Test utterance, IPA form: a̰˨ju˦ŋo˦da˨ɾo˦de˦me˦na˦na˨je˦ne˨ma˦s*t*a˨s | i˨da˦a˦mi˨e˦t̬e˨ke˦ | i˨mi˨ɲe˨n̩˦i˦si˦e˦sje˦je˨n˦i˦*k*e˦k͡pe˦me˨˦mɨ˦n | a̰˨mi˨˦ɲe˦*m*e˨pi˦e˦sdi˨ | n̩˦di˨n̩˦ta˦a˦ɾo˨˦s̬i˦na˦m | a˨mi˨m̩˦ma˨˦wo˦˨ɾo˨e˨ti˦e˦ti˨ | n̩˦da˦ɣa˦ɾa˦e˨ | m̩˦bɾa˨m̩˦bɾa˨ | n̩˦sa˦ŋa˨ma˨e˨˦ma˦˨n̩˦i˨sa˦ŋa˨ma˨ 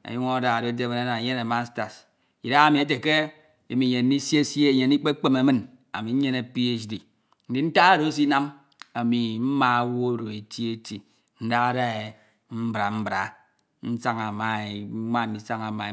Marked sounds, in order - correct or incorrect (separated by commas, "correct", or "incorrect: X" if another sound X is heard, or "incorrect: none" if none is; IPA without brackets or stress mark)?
correct, incorrect: k͡p, incorrect: n